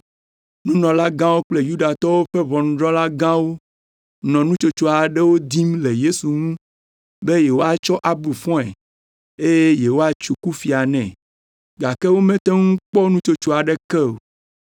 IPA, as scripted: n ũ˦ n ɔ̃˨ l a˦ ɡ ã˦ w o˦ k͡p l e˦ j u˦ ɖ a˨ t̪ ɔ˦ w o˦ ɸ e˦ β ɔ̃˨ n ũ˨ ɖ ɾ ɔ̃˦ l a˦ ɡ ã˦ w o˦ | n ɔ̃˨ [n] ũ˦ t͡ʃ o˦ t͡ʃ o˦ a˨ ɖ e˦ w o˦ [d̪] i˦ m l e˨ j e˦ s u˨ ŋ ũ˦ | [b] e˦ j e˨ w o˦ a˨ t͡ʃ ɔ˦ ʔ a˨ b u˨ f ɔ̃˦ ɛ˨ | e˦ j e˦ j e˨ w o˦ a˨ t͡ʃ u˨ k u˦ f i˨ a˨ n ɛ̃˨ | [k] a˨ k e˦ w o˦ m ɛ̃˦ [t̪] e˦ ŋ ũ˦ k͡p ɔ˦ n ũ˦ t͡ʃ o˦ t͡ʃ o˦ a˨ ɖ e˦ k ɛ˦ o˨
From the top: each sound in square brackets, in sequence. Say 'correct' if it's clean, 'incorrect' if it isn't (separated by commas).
correct, correct, correct, incorrect, correct